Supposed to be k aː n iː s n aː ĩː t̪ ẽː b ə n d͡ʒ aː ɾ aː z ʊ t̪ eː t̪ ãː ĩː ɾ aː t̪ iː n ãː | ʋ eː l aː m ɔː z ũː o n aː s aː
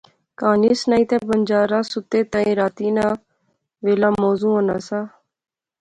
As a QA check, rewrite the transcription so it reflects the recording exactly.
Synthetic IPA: k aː n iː s n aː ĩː t̪ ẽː b ə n d͡ʒ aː ɾ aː s ʊ t̪ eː t̪ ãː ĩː ɾ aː t̪ iː n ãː | ʋ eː l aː m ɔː z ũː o n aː s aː